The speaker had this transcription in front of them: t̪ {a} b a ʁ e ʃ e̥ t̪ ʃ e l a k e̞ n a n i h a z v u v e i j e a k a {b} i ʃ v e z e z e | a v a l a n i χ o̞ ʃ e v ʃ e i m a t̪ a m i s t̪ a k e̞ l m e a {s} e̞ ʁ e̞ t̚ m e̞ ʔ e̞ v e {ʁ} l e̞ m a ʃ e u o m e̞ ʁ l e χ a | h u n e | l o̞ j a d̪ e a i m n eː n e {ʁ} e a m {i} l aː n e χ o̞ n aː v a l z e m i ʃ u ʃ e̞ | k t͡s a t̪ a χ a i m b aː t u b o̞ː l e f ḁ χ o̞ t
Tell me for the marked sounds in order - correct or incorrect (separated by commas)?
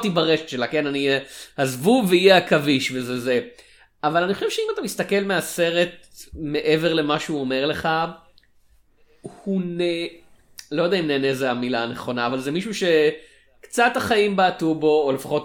incorrect, incorrect, correct, correct, incorrect, correct